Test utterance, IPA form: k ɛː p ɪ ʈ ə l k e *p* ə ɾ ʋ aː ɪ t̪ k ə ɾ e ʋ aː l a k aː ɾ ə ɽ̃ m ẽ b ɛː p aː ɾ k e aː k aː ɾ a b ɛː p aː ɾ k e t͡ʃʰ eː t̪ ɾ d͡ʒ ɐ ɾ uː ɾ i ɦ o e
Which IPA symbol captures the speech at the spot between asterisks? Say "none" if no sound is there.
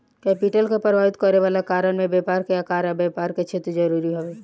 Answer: p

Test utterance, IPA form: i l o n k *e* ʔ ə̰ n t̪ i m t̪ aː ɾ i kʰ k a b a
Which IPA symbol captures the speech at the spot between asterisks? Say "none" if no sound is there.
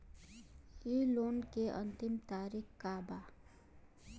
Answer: e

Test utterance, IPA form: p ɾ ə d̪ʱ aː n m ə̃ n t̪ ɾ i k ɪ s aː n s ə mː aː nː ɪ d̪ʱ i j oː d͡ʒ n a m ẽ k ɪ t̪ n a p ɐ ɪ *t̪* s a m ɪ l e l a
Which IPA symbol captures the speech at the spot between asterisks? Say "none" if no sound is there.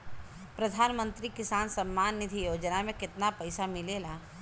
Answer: none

